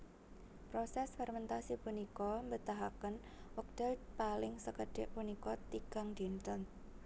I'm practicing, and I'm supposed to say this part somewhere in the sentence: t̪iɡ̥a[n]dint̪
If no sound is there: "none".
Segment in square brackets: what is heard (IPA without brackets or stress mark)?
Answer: ŋ